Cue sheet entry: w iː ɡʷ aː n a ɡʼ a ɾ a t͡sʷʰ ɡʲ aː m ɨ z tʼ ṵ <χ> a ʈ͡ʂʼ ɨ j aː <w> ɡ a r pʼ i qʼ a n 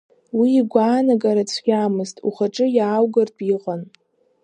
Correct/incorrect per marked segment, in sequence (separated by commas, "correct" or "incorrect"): correct, correct